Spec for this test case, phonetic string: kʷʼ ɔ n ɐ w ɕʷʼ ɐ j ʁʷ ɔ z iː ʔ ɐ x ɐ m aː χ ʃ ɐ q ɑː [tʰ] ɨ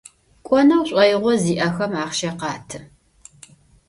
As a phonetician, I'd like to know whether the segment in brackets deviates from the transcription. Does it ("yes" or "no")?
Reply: no